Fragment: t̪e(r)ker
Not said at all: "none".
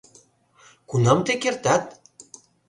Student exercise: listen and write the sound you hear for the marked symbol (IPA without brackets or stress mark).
none